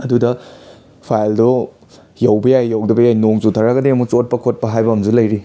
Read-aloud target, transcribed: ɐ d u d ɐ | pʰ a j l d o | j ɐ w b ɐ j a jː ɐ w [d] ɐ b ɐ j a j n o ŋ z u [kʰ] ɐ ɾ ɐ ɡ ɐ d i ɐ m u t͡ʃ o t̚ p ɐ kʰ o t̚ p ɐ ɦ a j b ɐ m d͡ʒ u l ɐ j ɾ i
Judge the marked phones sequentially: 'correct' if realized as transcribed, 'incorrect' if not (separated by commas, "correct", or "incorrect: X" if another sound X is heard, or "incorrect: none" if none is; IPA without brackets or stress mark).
correct, incorrect: tʰ